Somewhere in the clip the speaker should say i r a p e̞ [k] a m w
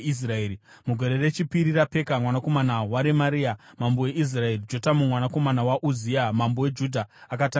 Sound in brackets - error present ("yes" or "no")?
no